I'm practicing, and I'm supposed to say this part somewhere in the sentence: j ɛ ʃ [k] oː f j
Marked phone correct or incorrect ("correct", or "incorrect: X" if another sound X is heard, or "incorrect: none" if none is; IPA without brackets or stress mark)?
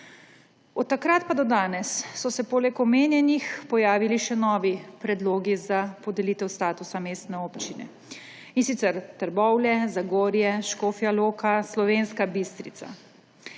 correct